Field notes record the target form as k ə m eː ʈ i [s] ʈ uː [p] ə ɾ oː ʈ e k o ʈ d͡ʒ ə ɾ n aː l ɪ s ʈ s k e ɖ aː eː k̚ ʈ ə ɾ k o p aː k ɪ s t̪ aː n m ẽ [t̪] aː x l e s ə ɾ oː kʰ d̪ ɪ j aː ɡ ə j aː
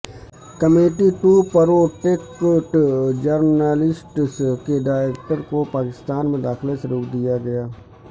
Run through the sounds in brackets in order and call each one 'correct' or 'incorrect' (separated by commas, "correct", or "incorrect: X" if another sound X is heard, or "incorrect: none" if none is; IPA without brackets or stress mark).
incorrect: none, correct, incorrect: d̪